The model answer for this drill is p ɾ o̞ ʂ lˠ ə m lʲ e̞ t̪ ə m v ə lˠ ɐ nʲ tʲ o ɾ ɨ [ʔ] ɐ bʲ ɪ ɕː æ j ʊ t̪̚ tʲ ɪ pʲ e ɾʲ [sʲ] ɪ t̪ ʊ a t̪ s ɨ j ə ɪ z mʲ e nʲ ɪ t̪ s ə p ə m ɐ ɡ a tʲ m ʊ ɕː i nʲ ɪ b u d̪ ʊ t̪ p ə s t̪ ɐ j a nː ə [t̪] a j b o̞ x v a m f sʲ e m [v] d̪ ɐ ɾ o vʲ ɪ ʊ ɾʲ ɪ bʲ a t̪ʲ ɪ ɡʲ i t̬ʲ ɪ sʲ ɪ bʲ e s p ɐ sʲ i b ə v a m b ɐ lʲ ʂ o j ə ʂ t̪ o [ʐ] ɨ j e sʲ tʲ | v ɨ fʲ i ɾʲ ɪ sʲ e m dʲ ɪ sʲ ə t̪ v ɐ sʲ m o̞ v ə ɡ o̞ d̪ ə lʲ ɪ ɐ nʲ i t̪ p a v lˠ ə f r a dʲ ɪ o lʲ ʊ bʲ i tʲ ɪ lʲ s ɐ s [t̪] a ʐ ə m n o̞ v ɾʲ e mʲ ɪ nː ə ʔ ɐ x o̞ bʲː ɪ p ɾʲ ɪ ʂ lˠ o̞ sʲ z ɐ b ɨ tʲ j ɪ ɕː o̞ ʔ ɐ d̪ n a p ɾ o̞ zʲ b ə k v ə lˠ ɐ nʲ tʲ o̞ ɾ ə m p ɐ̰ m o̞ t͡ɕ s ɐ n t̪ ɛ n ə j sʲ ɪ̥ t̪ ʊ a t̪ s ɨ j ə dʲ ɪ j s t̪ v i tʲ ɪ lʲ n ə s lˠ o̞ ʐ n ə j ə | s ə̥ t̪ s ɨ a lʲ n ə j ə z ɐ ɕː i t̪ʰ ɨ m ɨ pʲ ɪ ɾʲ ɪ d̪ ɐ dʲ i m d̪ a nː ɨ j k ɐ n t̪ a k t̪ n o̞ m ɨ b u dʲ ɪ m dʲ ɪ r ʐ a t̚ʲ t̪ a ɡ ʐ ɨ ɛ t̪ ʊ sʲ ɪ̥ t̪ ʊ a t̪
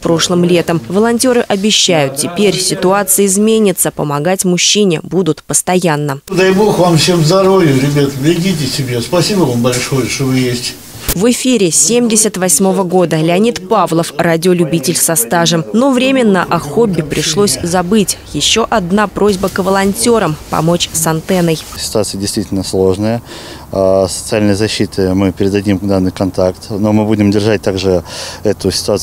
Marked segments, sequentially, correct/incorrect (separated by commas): correct, correct, incorrect, incorrect, incorrect, correct